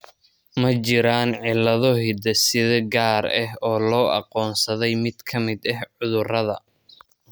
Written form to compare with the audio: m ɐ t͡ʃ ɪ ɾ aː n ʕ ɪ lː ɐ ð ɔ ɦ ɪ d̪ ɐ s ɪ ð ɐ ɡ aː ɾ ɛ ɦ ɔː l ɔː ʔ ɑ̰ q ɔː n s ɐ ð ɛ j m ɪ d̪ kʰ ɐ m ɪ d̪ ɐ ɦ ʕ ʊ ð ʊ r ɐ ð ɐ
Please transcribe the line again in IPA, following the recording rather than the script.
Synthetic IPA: m ɐ t͡ʃ ɪ ɾ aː n ʕ ɪ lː ɐ ð ɔ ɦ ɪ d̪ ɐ s ɪ ð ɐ ɡ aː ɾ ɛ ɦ ɔː l ɔː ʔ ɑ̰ q ɔː n s ɐ ð ɛ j m ɪ d̪ kʰ ɐ m ɪ d̪ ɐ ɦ ʕ ʊ ð ʊ r ɐ ð ɐ